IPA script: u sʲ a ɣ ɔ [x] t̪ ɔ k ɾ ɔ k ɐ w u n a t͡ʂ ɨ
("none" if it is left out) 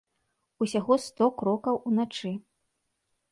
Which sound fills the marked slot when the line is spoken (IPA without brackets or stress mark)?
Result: s